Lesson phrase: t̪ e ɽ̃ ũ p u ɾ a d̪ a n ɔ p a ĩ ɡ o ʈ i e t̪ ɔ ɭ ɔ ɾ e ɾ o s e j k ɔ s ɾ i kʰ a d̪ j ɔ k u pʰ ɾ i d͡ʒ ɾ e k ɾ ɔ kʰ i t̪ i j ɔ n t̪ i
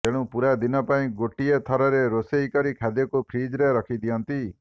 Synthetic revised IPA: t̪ e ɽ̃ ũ p u ɾ a d̪ i n ɔ p a ĩ ɡ o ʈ i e t̪ʰ ɔ ɾ ɔ ɾ e ɾ o s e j k ɔ ɾ i kʰ a d̪ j ɔ k u pʰ ɾ i d͡ʒ ɾ e ɾ ɔ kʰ i d̪ i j ɔ n t̪ i